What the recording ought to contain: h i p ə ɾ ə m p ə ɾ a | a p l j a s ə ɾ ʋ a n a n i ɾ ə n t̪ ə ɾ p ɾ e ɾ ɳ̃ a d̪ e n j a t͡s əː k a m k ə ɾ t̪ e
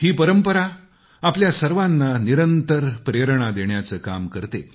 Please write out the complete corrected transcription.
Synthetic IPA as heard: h iː p ə ɾ ə m p ə ɾ a | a p l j a s ə ɾ ʋ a nː a n i ɾ ə n t̪ ə ɾ p ɾ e ɾ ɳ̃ a d̪ e ɳ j a t͡s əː k a m k ə ɾ t̪ e